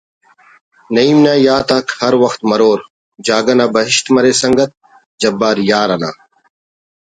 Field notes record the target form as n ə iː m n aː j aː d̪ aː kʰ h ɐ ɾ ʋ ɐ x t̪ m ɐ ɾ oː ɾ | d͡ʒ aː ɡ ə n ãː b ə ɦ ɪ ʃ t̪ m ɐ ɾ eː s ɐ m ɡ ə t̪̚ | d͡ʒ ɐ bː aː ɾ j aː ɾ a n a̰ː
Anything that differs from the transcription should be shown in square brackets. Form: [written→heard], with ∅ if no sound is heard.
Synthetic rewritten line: n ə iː m n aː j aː [d̪→t̪] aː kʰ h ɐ ɾ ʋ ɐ x t̪ m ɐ ɾ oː ɾ | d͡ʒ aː ɡ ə n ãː b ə ɦ ɪ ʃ t̪ m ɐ ɾ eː s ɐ [m→ŋ] ɡ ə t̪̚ | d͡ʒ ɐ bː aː ɾ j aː ɾ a n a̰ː

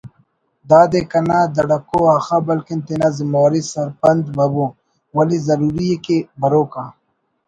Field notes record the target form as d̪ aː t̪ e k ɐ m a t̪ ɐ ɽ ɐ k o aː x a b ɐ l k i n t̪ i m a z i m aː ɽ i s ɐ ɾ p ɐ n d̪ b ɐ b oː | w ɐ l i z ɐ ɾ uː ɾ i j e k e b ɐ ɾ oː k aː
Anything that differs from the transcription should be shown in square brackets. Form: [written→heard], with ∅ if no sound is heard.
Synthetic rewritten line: d̪ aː [t̪→d̪] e k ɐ [m→n] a [t̪→d̪] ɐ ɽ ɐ k o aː x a b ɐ l k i n t̪ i [m→n] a z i m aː [ɽ→ɾ] i s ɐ ɾ p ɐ n d̪ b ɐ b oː | w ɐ l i z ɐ ɾ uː ɾ i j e k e b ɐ ɾ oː k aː

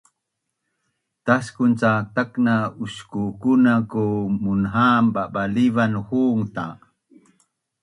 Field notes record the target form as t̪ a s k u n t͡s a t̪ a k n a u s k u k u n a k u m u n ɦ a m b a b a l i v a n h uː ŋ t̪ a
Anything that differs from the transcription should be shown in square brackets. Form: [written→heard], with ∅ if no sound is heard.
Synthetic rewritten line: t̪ a s k u n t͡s a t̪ a k n a u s k u k u n a k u m u n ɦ a m b a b a l i v a n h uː ŋ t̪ a

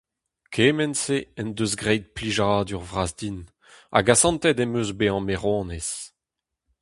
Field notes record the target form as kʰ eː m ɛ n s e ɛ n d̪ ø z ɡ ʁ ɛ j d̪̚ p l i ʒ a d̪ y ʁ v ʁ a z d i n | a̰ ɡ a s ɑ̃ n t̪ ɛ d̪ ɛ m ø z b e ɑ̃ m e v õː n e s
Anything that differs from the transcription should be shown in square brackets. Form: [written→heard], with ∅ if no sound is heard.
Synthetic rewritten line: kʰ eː m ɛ n s e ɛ n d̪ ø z ɡ ʁ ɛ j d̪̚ p l i ʒ a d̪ y ʁ v ʁ a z d i n | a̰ ɡ a s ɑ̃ n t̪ ɛ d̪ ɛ m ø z b e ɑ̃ m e [v→ʁ] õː n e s

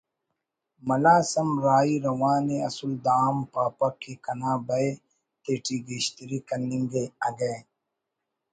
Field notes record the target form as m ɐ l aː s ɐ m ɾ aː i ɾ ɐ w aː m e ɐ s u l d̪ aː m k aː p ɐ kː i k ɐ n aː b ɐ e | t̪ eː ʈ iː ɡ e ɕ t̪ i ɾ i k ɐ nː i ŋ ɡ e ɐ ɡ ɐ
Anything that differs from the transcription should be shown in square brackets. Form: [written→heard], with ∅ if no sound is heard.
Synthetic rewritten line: m ɐ l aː s ɐ m ɾ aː i ɾ ɐ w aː [m→n] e ɐ s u l d̪ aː m [k→p] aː p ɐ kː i k ɐ n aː b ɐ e | t̪ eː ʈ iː ɡ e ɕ t̪ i ɾ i k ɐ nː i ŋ ɡ e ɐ ɡ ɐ

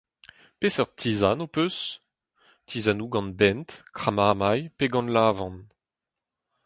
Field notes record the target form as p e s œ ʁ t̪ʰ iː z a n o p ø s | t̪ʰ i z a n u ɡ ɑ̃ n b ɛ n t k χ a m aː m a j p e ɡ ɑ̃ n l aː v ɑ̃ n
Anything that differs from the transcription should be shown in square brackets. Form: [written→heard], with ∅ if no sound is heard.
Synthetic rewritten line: p e s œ ʁ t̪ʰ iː z a n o p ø s | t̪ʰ i z a n u ɡ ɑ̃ n b ɛ n t k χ a m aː m a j p e ɡ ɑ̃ n l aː v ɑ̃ n

